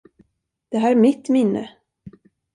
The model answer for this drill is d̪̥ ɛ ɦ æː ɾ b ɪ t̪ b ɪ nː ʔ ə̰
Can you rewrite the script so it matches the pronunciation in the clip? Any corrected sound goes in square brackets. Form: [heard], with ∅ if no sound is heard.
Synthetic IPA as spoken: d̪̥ ɛ ɦ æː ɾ [m] ɪ t̪ [m] ɪ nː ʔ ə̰